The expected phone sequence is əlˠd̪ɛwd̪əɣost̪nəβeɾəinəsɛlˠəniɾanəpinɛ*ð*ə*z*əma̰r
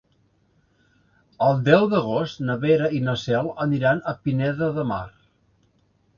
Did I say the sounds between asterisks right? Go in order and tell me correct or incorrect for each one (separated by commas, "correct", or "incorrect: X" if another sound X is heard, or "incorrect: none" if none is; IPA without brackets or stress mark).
correct, incorrect: ð